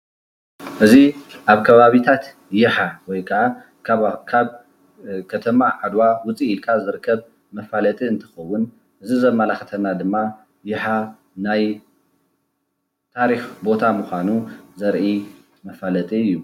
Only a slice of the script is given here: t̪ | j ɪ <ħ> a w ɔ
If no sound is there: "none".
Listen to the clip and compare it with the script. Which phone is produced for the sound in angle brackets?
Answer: ħ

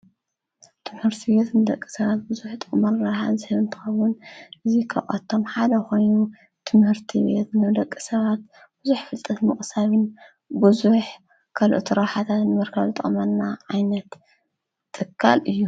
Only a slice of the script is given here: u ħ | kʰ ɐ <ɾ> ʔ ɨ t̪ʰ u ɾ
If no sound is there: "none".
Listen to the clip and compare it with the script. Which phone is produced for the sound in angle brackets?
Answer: l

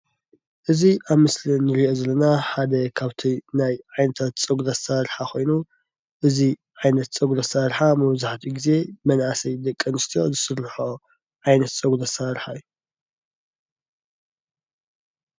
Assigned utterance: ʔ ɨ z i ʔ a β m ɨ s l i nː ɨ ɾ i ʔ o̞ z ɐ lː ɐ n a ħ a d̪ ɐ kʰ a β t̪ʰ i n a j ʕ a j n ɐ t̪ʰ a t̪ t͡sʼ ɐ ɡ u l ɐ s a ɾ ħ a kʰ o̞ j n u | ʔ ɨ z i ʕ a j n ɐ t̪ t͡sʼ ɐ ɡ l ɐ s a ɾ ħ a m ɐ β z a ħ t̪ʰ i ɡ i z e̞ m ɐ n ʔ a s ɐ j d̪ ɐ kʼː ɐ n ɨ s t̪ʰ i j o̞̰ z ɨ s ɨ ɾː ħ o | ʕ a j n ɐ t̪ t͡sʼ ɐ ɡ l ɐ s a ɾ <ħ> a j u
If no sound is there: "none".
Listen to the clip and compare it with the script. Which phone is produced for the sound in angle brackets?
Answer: ħ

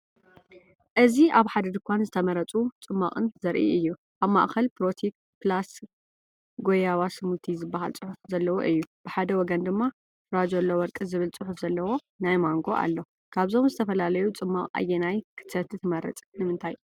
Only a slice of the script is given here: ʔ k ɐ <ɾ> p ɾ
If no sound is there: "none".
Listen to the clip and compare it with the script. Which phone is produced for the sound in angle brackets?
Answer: l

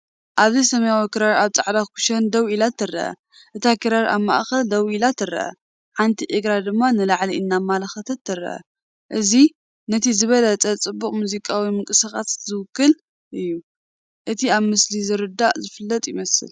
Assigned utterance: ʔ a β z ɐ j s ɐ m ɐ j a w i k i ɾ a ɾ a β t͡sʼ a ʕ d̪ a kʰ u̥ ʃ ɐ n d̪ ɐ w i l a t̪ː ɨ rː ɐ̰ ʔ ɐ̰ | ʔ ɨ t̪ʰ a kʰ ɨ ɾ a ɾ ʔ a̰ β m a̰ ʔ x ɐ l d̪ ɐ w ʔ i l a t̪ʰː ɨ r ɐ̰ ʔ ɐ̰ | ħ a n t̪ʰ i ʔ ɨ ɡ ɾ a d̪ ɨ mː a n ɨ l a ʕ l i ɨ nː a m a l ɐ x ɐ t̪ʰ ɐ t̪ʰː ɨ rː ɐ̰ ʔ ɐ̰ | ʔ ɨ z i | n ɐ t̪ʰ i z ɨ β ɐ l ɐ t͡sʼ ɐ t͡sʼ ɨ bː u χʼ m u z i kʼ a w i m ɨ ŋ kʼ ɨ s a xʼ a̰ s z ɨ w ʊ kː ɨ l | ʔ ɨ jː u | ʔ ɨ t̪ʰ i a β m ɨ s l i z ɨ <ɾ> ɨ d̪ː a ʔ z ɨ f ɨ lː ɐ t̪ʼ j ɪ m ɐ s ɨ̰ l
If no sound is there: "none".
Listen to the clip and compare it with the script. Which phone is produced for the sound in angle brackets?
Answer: ɾ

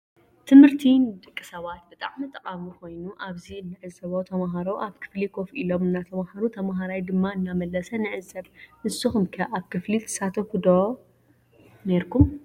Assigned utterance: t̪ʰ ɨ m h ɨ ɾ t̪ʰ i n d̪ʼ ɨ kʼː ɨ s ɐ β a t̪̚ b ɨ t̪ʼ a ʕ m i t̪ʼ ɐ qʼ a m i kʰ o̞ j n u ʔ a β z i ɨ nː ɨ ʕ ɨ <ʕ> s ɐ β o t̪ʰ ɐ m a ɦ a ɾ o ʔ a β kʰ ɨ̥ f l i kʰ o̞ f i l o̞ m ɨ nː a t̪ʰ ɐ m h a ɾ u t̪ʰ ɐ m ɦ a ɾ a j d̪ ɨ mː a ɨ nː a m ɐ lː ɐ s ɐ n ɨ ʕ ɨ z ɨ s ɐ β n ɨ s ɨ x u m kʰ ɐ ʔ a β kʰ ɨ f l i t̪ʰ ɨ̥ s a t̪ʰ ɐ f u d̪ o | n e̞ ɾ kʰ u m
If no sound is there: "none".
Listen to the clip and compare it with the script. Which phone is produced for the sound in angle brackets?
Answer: z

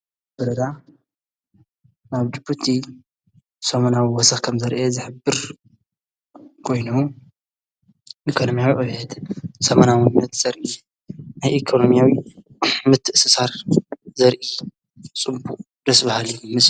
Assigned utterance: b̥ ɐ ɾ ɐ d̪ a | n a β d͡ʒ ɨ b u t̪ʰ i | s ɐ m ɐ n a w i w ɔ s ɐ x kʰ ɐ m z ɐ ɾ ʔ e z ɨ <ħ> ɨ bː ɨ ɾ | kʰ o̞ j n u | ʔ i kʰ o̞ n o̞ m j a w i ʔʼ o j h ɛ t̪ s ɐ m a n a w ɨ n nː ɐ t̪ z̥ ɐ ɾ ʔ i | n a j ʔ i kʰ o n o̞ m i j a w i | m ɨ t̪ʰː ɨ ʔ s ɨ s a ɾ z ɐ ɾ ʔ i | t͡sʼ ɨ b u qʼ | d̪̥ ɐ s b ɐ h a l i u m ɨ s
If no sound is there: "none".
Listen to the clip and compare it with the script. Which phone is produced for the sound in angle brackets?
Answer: ħ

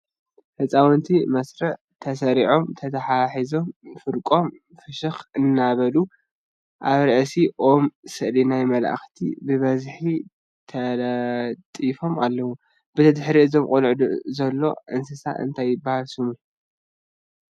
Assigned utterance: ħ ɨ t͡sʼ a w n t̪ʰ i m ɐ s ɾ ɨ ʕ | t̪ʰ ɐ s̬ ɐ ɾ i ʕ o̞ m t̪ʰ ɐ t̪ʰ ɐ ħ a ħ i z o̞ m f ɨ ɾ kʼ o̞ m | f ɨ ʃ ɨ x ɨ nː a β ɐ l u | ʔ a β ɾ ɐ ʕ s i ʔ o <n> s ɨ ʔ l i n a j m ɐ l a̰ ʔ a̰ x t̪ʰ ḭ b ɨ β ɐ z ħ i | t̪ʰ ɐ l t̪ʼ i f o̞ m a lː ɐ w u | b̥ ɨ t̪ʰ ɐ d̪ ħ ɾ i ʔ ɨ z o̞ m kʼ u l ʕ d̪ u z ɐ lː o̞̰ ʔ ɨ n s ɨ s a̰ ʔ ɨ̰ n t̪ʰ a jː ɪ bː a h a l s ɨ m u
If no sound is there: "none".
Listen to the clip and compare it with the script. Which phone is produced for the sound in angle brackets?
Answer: m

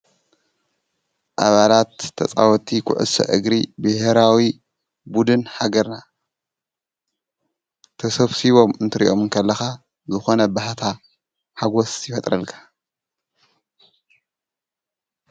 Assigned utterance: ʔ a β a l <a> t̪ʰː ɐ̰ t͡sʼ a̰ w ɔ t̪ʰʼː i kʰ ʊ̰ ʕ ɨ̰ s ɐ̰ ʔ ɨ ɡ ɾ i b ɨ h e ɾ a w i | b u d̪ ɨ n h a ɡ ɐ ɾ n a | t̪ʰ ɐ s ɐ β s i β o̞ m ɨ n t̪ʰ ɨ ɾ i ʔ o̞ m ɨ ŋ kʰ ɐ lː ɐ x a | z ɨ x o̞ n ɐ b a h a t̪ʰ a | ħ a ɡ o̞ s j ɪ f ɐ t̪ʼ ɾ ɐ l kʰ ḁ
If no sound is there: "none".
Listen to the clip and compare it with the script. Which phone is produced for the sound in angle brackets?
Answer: a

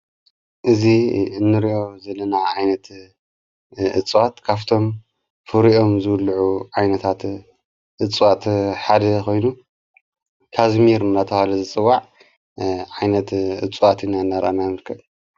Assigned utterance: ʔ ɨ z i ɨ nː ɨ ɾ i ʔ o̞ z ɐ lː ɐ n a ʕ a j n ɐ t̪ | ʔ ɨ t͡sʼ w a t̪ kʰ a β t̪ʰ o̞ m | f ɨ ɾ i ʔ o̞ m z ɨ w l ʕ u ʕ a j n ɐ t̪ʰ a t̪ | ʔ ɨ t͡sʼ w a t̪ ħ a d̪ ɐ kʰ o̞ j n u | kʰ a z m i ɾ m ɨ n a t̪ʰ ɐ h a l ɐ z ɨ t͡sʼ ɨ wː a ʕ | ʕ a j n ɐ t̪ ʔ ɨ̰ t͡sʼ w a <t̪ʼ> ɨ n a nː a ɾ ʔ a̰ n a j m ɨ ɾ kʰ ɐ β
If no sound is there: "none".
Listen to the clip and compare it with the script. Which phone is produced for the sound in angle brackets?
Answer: t̪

